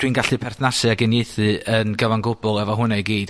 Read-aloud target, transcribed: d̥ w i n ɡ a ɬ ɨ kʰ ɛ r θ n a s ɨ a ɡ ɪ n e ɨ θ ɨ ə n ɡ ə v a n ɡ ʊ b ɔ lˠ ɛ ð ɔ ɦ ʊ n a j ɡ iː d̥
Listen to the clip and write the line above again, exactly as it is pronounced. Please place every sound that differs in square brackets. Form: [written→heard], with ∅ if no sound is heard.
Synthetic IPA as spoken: d̥ w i n ɡ a ɬ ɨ [kʰ→pʰ] ɛ r θ n a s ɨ a ɡ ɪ n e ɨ θ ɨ ə n ɡ ə v a n ɡ ʊ b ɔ lˠ ɛ [ð→v] ɔ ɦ ʊ n a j ɡ iː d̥